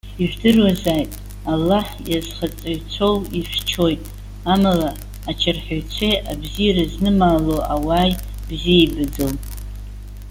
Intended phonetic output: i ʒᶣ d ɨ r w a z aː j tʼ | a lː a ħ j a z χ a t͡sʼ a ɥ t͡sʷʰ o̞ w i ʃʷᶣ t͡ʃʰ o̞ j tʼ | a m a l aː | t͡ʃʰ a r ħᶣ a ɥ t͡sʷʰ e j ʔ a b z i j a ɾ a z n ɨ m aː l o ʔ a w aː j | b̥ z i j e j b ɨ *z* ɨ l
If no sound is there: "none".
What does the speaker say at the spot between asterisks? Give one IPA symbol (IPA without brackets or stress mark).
d͡z